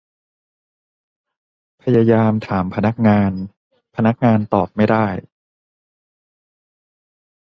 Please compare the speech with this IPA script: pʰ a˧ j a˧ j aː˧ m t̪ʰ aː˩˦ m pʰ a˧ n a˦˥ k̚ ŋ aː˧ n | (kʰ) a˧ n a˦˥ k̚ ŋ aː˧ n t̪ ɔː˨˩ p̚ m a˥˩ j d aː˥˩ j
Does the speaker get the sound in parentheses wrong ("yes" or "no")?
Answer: yes